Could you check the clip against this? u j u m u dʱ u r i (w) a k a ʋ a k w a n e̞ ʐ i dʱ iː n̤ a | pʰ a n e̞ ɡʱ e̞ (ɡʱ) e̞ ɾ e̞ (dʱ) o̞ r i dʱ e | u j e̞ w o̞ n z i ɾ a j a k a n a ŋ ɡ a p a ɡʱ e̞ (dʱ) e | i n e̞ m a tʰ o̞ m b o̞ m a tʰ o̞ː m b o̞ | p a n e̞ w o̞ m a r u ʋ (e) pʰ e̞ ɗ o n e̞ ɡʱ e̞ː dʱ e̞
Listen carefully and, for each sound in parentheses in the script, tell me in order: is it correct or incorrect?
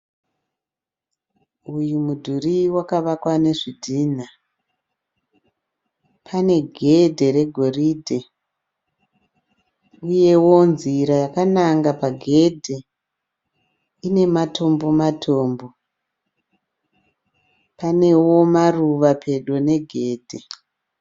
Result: correct, incorrect, incorrect, correct, incorrect

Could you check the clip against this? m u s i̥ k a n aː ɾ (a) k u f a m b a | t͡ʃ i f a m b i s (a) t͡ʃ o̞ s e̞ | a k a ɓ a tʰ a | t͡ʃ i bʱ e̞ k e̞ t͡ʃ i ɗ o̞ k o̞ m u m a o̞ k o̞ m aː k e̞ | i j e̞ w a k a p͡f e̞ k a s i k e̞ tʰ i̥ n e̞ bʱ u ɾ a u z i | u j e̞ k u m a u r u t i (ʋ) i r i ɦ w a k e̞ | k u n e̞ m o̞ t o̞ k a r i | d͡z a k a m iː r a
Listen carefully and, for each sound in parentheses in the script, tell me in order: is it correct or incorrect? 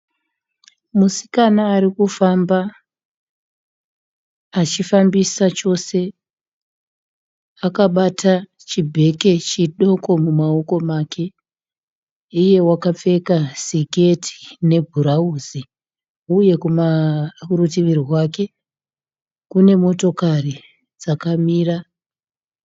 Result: incorrect, correct, correct

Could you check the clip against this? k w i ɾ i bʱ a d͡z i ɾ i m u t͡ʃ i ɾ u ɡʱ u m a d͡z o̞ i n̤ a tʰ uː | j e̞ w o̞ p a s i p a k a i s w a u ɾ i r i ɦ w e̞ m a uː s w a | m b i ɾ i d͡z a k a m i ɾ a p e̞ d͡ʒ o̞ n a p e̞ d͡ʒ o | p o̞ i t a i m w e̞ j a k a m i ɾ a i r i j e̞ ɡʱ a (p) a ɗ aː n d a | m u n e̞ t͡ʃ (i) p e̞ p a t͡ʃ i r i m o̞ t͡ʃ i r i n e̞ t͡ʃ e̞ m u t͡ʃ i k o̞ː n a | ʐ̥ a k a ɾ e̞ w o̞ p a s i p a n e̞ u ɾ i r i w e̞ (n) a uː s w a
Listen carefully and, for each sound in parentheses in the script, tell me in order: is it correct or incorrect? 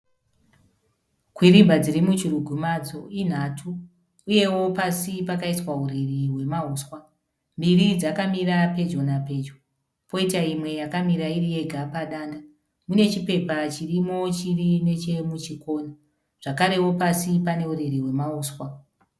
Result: correct, correct, incorrect

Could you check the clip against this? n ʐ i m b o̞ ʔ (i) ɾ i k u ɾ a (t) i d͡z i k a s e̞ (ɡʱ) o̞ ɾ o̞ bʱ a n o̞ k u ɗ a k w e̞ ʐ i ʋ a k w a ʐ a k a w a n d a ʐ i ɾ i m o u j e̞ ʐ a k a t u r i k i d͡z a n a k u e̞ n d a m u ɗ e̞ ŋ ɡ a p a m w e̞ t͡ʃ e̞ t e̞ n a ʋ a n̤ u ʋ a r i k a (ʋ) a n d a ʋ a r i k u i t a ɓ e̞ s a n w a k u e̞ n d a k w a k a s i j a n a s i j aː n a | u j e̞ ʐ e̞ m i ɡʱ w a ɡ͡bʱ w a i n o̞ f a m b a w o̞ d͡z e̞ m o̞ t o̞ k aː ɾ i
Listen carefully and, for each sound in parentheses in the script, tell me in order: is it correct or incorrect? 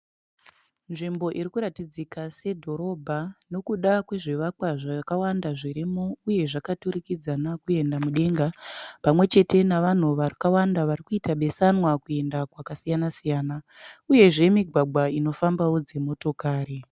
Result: correct, correct, incorrect, incorrect

